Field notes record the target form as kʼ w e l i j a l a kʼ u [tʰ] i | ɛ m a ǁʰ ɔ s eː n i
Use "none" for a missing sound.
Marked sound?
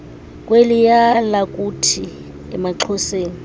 tʰ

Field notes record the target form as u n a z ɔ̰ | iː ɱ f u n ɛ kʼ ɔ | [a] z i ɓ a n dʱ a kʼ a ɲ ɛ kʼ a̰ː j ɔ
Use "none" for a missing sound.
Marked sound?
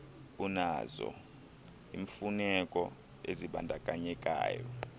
e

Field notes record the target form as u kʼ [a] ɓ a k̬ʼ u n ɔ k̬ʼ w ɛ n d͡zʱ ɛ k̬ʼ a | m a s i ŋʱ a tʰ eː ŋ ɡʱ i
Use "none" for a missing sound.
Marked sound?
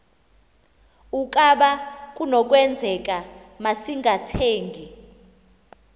a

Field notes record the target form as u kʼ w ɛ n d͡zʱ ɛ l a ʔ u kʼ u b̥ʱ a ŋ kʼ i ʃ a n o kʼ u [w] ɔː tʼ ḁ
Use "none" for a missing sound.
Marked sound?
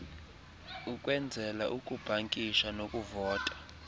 v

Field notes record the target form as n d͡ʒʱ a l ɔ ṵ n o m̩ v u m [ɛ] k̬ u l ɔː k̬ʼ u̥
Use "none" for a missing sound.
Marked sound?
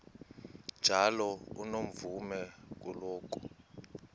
ɛ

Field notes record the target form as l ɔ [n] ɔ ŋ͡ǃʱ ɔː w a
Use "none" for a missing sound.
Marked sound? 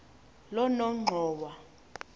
n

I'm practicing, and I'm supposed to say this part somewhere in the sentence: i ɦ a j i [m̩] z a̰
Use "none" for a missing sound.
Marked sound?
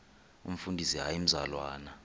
m̩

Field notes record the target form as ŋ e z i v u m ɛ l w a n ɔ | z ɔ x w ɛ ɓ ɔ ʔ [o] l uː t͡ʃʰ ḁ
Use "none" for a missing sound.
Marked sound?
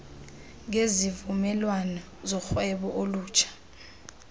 o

